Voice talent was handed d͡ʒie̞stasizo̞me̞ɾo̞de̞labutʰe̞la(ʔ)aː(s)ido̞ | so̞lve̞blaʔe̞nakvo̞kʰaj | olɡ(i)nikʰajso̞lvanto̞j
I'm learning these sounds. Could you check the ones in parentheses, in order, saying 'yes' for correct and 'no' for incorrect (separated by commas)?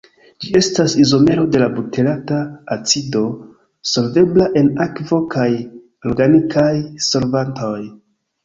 no, no, no